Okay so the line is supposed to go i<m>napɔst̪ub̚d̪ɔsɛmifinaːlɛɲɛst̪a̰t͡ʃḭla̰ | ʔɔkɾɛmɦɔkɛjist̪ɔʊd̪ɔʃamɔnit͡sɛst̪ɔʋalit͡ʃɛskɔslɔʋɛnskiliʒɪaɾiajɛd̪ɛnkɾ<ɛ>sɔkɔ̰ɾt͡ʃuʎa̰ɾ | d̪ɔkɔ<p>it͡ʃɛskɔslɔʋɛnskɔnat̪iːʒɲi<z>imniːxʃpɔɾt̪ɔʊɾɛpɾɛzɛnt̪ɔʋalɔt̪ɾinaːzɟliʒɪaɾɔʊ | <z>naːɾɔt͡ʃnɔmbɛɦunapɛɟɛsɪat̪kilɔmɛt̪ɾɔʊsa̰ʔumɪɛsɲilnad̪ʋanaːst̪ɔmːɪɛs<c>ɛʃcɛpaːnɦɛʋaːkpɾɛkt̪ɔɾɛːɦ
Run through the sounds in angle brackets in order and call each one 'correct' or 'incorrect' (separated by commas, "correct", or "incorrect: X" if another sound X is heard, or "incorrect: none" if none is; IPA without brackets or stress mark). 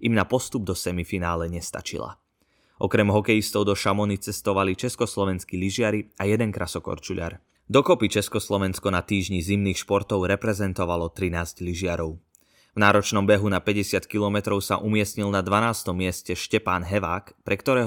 correct, incorrect: a, correct, correct, incorrect: v, correct